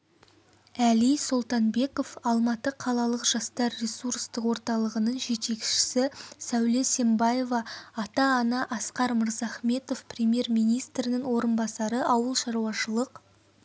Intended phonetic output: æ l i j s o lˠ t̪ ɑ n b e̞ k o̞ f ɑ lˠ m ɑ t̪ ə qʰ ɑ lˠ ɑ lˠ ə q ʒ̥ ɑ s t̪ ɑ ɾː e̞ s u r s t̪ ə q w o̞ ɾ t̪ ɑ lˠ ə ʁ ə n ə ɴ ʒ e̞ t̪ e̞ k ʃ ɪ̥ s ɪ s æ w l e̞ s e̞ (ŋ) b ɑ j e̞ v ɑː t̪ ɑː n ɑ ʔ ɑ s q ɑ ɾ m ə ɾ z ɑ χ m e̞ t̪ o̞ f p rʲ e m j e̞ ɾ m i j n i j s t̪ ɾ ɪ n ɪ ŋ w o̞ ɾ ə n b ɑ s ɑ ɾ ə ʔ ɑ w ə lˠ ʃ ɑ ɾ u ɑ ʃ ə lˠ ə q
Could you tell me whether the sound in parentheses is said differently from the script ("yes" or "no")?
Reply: yes